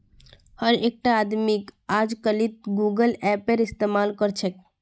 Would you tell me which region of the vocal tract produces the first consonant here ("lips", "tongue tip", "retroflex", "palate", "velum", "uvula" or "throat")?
throat